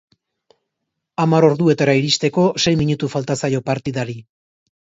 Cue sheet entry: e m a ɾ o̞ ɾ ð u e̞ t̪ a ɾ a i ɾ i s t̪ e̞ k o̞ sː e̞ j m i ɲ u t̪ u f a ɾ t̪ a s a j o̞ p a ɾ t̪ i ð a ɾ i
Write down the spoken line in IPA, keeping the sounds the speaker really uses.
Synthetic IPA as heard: a m a ɾ o̞ ɾ ð u e̞ t̪ a ɾ a i ɾ i s t̪ e̞ k o̞ s e̞ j m i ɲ u t̪ u f a l t̪ a s a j o̞ p a ɾ t̪ i ð a ɾ i